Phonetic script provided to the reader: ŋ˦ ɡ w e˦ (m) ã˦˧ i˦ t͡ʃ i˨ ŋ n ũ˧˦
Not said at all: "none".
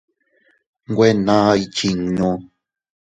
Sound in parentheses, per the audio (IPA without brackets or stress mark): n